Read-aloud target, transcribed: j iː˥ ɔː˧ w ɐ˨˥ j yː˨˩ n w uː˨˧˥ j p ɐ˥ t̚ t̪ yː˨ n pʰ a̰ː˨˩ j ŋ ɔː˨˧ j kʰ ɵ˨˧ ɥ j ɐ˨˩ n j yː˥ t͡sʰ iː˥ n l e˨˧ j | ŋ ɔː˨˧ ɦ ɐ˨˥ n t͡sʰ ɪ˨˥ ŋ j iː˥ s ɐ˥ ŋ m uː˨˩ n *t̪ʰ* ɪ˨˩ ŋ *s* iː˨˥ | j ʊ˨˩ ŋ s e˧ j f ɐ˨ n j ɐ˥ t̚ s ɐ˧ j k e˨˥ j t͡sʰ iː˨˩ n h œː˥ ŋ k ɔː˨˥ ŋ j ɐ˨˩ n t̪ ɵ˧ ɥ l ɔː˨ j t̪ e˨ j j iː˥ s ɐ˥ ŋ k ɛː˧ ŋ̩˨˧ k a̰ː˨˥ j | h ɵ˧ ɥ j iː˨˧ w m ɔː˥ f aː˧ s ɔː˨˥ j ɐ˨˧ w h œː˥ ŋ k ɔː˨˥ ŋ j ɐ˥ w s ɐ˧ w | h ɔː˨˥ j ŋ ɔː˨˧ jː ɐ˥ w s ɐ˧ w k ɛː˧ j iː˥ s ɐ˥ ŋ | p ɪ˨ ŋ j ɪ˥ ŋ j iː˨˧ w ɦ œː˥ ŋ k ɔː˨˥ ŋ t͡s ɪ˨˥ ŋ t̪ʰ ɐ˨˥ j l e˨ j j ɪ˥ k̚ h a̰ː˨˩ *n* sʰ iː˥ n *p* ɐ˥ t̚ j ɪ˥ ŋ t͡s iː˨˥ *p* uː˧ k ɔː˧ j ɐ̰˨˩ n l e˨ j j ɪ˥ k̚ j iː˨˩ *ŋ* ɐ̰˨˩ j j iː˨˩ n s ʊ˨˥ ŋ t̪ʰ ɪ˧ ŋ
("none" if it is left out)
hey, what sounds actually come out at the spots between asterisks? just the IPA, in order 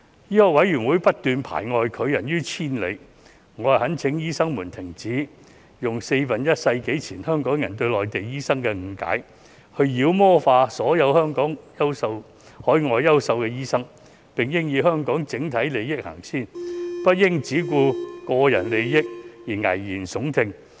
t̪ʰ, t͡s, ŋ, p, k, ŋ

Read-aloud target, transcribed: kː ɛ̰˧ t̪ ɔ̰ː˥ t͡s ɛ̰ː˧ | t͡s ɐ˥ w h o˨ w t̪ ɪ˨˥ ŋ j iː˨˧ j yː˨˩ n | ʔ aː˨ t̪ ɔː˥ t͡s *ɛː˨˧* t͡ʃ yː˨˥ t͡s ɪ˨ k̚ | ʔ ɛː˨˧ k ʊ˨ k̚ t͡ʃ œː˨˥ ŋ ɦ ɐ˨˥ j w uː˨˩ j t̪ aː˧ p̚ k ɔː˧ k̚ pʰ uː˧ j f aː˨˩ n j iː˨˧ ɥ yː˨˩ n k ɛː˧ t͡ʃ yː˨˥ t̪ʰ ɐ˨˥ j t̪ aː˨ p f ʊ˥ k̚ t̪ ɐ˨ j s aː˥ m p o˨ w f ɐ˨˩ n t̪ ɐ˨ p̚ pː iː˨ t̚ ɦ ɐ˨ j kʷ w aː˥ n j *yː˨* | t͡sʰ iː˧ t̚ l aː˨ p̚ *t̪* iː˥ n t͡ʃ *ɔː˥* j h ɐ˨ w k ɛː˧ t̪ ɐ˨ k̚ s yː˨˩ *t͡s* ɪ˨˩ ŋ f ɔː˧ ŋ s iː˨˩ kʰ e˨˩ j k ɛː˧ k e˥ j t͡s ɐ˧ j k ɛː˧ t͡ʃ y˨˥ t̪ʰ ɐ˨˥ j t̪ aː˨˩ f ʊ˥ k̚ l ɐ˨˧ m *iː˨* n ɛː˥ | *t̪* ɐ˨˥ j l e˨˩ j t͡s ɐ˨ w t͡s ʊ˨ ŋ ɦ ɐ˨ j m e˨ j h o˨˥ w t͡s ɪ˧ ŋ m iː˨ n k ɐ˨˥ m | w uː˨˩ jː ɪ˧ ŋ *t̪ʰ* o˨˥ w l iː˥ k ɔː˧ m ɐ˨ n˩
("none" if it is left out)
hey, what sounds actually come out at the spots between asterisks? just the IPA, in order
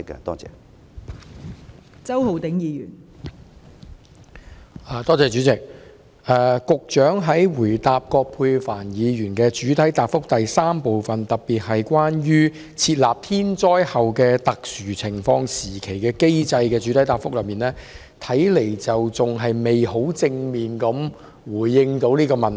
ɛː˨˧, yː˥, t̪ʰ, ɔː˥, t͡sʰ, iː˨, t̪ʰ, t̪

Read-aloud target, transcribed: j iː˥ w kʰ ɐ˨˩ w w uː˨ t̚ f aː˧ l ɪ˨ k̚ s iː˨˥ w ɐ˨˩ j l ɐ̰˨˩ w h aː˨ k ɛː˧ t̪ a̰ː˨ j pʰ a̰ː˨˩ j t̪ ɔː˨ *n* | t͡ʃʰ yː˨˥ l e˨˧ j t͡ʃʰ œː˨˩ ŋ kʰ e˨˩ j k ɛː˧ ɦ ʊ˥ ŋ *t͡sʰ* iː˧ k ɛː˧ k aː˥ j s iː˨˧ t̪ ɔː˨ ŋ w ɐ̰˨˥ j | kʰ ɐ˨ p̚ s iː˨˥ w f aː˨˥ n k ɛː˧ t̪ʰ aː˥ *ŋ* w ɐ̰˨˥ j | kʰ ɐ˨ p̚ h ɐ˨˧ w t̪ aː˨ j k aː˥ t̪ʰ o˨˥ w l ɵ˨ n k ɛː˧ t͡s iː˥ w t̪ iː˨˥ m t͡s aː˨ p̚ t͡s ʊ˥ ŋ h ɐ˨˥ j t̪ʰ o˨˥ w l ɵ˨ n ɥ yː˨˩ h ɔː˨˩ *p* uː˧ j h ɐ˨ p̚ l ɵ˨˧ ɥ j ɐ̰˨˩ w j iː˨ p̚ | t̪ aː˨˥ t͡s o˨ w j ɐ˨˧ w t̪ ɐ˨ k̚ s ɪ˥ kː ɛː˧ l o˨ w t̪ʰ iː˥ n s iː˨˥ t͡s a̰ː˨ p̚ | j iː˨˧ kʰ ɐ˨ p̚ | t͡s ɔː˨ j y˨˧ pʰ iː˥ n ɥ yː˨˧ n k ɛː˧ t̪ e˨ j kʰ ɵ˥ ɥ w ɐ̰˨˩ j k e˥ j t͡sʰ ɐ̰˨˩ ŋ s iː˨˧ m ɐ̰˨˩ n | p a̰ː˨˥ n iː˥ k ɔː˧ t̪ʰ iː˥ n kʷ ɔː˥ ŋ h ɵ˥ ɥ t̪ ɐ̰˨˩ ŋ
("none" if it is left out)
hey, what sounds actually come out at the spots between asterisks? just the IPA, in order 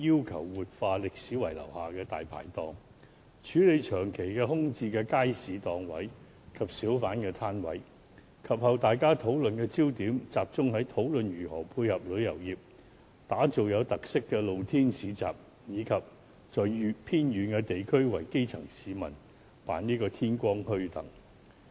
ŋ, t͡s, n, pʰ

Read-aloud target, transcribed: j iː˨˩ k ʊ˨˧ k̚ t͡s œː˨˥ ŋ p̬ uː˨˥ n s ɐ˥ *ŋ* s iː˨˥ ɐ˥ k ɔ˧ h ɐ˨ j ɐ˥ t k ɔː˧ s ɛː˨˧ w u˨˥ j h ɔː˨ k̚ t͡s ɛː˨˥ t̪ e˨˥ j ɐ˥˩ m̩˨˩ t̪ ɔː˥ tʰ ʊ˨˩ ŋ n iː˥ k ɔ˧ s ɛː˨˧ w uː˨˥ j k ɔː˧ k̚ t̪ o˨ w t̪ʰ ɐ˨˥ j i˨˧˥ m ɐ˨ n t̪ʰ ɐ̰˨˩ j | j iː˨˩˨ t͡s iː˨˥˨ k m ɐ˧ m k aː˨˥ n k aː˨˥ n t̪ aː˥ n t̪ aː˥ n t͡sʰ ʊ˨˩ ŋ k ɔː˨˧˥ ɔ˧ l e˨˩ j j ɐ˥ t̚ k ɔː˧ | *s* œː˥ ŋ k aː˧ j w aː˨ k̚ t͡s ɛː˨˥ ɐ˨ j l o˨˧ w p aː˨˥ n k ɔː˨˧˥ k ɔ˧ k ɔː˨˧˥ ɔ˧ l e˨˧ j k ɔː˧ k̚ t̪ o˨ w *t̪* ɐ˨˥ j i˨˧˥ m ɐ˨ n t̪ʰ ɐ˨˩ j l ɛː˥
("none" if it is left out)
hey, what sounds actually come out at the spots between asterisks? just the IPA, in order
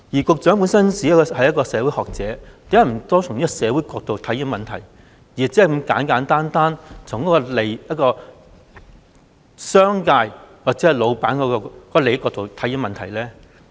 n, s, t̪ʰ

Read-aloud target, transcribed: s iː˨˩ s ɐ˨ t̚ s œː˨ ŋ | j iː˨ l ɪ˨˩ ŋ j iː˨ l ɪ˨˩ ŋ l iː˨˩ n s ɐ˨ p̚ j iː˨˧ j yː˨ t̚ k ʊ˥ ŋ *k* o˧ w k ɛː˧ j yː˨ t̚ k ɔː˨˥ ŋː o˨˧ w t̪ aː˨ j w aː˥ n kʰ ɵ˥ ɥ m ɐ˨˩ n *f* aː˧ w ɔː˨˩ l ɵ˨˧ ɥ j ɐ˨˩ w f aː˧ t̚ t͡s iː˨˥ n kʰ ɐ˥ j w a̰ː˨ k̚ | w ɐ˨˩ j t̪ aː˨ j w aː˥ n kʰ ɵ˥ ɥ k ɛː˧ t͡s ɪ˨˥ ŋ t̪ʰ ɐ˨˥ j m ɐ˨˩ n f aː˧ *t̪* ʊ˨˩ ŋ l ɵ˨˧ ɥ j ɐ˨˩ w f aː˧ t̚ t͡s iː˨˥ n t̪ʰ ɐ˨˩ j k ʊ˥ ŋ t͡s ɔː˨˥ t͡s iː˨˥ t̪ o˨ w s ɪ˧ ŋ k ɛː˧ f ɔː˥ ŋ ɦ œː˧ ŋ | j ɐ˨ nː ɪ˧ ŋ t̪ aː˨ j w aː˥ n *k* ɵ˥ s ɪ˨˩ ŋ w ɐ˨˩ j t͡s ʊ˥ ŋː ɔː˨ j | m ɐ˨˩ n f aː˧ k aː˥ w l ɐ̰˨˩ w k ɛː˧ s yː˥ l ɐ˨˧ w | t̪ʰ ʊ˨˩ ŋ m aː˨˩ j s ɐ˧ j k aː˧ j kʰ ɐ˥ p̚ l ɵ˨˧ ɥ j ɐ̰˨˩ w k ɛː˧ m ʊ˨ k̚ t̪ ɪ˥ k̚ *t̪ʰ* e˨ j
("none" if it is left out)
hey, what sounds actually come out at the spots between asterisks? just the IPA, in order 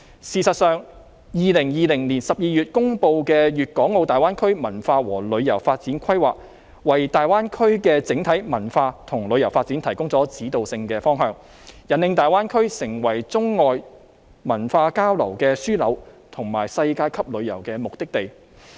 p, f, t̪ʰ, kʰ, t̪

